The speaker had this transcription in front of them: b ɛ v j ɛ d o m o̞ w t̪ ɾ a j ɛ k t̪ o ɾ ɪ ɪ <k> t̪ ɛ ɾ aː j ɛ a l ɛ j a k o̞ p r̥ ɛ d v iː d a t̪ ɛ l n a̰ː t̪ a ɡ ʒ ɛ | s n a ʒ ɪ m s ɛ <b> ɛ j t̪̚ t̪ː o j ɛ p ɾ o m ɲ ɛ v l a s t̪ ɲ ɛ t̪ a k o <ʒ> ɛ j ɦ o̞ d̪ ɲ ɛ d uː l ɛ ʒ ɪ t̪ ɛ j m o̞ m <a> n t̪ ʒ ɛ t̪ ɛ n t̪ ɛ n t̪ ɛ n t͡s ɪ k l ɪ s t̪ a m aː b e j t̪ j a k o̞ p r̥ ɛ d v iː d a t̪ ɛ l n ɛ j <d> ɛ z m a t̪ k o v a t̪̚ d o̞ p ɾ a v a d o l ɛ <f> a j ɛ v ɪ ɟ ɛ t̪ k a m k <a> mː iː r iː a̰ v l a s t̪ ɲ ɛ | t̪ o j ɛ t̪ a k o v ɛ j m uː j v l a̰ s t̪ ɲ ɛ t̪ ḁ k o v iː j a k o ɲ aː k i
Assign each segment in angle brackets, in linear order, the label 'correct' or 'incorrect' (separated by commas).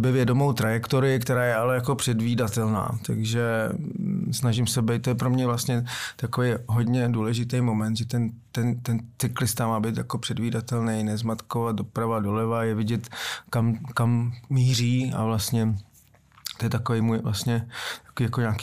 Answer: correct, correct, incorrect, incorrect, incorrect, incorrect, correct